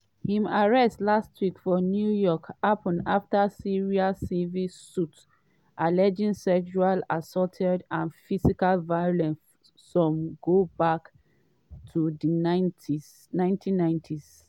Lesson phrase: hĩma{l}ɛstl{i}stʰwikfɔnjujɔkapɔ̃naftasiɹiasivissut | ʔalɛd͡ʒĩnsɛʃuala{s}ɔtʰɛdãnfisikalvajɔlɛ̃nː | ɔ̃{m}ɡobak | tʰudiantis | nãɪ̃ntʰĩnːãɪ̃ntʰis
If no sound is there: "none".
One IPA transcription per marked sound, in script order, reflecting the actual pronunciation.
ɹ, a, s, m

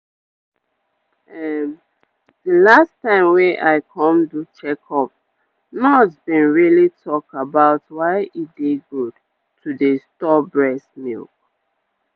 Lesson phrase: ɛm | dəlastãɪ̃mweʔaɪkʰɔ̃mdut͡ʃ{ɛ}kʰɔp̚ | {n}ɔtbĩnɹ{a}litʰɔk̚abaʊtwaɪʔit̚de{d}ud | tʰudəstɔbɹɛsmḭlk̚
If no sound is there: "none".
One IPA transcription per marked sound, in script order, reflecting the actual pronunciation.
ɛ, n, i, ɡ

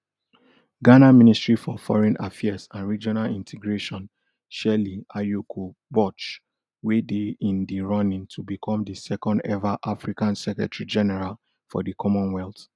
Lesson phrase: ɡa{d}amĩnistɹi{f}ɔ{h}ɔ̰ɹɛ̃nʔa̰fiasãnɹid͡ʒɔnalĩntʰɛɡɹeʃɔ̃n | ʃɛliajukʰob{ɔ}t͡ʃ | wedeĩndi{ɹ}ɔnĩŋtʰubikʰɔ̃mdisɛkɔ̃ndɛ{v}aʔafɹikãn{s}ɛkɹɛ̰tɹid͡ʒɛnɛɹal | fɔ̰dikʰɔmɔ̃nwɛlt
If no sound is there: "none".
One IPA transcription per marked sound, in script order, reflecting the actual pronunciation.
n, f, f, ɔ, ɹ, v, s

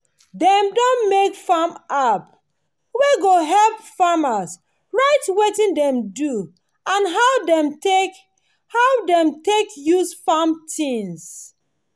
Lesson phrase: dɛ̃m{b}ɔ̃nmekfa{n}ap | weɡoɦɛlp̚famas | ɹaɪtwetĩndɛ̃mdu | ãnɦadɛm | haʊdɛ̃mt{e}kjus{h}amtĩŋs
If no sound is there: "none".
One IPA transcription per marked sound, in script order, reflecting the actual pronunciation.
d, m, e, f

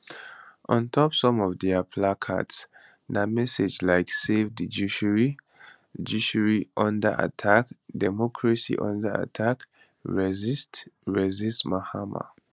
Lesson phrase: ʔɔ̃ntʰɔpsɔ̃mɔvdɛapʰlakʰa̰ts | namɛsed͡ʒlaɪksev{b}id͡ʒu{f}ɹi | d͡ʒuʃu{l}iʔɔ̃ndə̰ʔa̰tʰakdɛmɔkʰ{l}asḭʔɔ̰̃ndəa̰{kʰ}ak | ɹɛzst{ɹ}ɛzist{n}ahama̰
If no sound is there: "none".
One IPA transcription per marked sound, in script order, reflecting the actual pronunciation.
d, ʃ, ɹ, ɹ, tʰ, ɹ, m

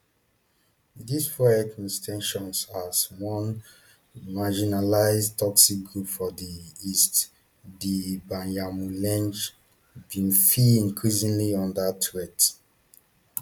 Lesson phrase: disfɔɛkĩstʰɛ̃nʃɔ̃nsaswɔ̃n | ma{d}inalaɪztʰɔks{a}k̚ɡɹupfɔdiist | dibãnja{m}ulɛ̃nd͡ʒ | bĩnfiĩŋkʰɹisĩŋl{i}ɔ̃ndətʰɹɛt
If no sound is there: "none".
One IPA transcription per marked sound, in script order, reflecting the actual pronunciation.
d͡ʒ, i, m, i

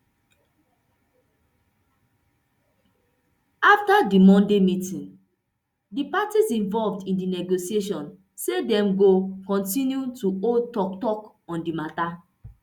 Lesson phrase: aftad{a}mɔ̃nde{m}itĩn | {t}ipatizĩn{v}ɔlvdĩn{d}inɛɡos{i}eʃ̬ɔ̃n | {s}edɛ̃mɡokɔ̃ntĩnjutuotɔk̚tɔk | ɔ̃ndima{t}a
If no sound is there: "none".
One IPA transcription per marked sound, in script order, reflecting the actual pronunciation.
i, m, d, v, d, i, s, t

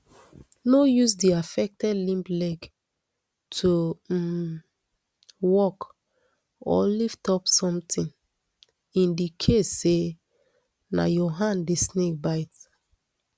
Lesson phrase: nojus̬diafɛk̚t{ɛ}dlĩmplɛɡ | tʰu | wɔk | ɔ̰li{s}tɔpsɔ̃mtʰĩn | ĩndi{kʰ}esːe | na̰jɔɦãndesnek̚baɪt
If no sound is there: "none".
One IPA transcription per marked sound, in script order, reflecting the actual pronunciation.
ɛ, f, kʰ

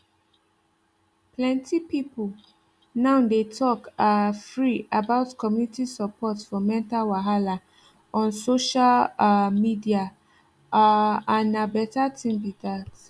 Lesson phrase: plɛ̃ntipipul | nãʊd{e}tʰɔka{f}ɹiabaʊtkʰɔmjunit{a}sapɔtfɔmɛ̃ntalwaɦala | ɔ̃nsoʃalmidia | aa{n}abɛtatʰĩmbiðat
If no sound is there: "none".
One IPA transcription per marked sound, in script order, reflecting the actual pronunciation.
e, f, i, n

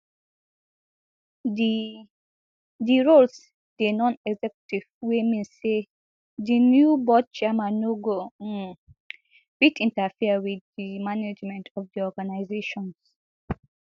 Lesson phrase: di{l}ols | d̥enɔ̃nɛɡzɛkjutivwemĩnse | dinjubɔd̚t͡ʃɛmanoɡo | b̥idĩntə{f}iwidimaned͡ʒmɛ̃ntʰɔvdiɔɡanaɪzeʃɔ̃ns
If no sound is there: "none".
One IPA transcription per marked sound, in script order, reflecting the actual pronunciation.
ɹ, f

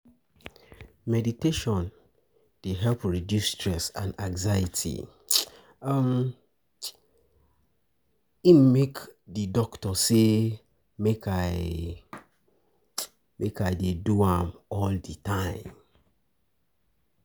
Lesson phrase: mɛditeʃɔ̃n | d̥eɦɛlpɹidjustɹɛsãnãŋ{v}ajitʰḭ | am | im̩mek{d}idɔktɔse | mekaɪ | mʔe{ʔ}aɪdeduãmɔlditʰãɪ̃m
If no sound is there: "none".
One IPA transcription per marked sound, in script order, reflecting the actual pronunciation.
z, d, k

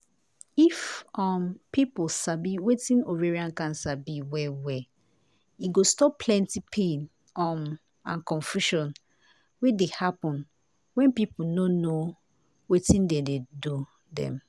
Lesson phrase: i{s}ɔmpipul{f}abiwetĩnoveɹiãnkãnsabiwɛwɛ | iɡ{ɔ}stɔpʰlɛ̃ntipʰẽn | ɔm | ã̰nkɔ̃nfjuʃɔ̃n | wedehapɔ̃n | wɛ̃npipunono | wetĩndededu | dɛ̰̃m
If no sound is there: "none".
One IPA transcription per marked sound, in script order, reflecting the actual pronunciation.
f, s, o

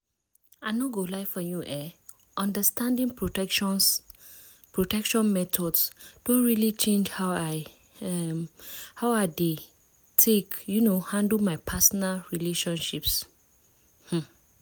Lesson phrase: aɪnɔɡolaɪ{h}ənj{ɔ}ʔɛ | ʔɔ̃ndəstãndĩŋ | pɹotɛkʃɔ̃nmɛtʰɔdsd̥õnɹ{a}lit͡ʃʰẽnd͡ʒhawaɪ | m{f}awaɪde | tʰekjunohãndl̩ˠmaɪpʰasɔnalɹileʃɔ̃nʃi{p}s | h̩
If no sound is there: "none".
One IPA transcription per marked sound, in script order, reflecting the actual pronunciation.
f, u, i, h, p

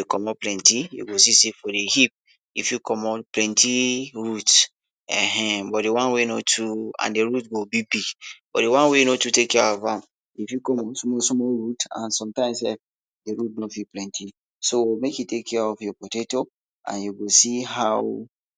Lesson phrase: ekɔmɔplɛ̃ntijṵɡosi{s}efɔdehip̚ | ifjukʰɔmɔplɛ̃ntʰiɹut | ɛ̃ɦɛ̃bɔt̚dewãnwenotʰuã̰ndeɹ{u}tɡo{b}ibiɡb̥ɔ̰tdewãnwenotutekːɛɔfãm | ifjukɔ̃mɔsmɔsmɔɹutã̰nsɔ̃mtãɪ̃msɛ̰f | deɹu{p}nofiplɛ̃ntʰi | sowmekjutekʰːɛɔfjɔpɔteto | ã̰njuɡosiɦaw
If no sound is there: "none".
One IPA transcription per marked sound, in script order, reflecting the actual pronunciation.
s, u, b, t

